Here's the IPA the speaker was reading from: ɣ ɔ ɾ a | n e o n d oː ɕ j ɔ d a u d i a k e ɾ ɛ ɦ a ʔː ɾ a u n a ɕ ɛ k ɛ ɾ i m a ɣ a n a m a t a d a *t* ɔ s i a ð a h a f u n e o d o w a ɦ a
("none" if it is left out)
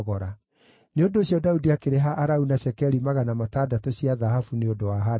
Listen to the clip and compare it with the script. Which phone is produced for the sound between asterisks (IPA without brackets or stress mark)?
t